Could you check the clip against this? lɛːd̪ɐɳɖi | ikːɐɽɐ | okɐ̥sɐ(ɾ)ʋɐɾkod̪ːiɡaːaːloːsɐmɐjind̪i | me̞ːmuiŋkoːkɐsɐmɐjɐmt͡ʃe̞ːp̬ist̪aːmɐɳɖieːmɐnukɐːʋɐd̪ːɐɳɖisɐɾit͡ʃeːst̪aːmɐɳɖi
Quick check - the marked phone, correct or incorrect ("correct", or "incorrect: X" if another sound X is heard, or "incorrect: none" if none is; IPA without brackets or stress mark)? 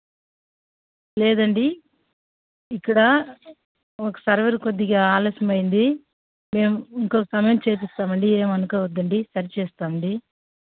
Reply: correct